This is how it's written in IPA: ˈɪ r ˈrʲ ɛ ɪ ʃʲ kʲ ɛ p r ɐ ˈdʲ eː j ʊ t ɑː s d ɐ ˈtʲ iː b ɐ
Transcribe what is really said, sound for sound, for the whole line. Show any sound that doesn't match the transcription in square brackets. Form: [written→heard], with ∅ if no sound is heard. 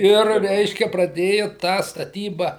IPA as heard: ˈɪ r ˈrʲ ɛ ɪ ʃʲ kʲ ɛ p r ɐ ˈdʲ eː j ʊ t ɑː s [d→t] ɐ ˈtʲ iː b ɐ